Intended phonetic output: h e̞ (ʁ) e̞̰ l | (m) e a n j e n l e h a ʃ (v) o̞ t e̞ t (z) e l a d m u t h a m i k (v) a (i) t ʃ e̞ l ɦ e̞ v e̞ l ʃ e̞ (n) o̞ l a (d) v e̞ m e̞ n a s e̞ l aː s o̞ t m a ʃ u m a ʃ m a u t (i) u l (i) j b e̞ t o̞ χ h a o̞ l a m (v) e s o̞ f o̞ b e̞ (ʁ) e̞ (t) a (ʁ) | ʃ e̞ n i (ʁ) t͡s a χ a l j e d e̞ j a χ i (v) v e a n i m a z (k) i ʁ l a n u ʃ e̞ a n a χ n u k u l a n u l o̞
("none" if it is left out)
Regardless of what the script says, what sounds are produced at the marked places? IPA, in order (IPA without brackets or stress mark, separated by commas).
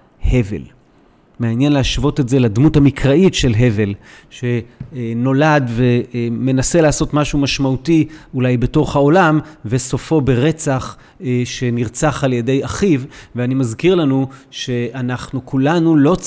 v, m, v, z, ʁ, i, n, d, i, a, v, ʁ, t͡s, χ, ʁ, v, k